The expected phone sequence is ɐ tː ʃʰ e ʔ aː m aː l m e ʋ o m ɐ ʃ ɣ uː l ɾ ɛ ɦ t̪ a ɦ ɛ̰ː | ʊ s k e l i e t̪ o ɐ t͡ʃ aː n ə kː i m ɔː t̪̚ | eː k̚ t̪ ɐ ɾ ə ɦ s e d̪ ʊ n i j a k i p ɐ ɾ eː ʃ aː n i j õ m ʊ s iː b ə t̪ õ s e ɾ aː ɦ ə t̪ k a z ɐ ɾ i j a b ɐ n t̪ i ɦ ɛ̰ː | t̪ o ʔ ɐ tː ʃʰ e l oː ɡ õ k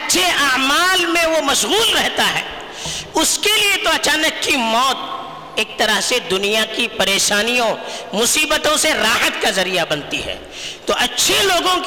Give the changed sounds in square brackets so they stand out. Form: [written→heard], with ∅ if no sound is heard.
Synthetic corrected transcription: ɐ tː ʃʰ e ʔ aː m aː l m [e→ẽ] ʋ o m ɐ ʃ ɣ uː l ɾ ɛ ɦ t̪ a ɦ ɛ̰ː | ʊ s k e l i e t̪ o ɐ t͡ʃ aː n ə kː i m ɔː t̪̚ | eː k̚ t̪ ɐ ɾ ə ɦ s e d̪ ʊ n i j a k i p ɐ ɾ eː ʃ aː n i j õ m ʊ s iː b ə t̪ õ s e ɾ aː ɦ ə t̪ k a z ɐ ɾ i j a b ɐ n t̪ i ɦ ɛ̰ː | t̪ o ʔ ɐ tː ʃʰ e l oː ɡ õ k